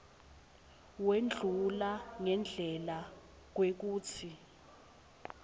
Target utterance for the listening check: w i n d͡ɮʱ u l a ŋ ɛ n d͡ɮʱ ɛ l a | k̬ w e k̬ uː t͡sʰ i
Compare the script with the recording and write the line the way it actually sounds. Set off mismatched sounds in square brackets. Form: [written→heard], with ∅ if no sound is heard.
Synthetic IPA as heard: w [i→e] n d͡ɮʱ u l a ŋ ɛ n d͡ɮʱ ɛ l a | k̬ w e k̬ uː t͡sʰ i